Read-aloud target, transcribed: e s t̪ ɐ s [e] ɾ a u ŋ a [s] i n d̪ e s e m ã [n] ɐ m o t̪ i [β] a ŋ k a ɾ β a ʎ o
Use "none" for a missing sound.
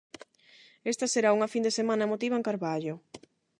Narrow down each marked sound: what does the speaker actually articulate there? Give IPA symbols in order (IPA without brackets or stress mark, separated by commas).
e, f, n, β